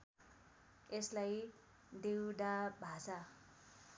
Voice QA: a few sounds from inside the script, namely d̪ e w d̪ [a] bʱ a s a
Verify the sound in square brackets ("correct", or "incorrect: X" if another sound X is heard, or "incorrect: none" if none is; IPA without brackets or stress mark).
correct